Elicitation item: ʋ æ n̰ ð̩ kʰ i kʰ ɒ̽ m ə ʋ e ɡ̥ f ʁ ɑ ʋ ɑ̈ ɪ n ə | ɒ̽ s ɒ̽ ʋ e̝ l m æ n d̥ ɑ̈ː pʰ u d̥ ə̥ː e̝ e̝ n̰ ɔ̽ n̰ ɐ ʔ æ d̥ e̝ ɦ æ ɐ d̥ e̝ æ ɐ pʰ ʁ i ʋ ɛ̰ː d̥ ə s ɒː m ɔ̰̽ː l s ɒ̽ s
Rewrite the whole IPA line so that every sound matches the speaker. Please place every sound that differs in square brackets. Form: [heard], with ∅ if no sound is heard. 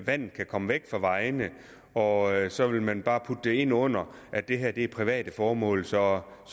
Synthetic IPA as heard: ʋ æ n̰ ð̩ kʰ [æ] kʰ ɒ̽ m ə ʋ e ɡ̥ f ʁ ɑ ʋ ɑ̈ ɪ n ə | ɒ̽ s ɒ̽ ʋ e̝ l m æ n [b̥] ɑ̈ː pʰ u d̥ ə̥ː e̝ e̝ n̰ ɔ̽ n̰ ɐ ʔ æ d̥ e̝ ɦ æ ɐ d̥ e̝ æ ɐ pʰ ʁ i ʋ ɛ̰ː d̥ ə [f] ɒː m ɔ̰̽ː l s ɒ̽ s